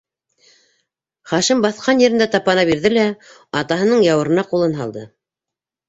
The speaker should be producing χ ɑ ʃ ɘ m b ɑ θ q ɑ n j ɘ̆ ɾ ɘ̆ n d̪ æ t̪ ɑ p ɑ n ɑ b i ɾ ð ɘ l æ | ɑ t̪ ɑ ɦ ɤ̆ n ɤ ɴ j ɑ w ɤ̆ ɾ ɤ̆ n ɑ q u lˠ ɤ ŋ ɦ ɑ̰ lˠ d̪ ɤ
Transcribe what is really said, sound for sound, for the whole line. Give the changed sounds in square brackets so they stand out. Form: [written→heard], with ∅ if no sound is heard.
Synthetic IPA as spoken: χ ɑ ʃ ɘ m b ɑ θ q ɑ n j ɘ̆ ɾ ɘ̆ n d̪ æ t̪ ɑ p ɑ n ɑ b i ɾ ð ɘ l æ | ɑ t̪ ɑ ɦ ɤ̆ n ɤ ɴ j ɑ w ɤ̆ ɾ ɤ̆ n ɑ q u lˠ ɤ [ŋ→n] ɦ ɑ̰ lˠ d̪ ɤ